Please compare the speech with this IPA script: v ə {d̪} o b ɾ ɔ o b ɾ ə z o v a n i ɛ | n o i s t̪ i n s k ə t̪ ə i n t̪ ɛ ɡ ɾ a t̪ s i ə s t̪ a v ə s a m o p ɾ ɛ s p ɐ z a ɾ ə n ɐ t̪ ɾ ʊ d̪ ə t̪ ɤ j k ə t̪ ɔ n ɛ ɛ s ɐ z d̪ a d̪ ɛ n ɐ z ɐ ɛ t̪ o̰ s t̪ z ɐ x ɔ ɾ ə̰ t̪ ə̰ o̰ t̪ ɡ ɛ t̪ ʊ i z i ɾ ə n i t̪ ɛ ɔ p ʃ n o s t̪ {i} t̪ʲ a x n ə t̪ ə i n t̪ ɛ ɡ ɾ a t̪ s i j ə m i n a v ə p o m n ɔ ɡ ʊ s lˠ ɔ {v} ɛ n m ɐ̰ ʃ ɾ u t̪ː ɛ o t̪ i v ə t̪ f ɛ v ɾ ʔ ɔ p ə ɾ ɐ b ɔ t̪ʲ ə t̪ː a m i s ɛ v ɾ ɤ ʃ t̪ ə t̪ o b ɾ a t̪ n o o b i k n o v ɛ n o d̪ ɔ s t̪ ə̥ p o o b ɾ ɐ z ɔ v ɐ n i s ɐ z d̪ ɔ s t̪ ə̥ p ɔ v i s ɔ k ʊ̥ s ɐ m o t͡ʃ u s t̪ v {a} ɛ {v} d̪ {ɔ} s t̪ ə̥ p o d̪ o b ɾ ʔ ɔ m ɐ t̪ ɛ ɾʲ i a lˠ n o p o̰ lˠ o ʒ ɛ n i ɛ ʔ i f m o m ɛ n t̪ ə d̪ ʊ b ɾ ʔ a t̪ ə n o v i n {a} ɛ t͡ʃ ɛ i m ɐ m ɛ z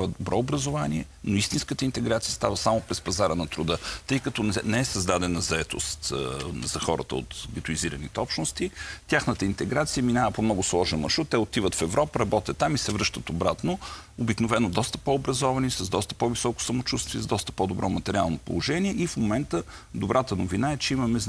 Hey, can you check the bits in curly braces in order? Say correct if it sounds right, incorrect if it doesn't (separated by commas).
correct, correct, incorrect, incorrect, incorrect, correct, correct